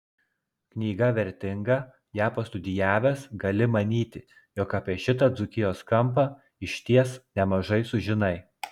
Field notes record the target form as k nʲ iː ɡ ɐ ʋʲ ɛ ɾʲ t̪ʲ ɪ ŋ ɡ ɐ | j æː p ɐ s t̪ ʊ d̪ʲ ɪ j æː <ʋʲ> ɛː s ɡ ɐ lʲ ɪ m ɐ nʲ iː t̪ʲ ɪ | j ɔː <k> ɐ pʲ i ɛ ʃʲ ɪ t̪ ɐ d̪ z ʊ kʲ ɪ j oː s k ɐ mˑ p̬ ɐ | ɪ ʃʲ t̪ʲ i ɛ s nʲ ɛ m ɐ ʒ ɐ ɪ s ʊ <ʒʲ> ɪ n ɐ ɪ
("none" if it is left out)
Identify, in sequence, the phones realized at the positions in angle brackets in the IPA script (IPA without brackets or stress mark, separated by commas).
ʋʲ, k, ʒʲ